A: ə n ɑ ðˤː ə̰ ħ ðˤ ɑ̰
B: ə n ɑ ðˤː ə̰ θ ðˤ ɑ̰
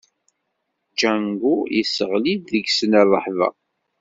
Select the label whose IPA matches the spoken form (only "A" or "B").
A